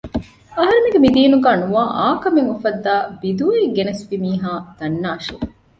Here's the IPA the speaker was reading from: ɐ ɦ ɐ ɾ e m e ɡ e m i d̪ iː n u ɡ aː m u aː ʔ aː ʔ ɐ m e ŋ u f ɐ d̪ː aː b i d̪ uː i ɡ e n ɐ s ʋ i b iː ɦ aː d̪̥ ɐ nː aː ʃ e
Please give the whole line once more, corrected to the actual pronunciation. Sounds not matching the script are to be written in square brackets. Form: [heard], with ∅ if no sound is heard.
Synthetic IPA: ɐ ɦ ɐ ɾ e m e ɡ e m i d̪ iː n u ɡ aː [n] u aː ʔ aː [k] ɐ m e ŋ u f ɐ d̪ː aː b i d̪ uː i ɡ e n ɐ s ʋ i [m] iː ɦ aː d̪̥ ɐ nː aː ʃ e